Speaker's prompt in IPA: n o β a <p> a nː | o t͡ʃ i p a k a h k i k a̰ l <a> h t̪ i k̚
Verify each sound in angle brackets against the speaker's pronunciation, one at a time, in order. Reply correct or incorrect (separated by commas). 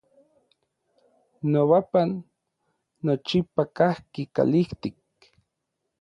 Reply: correct, incorrect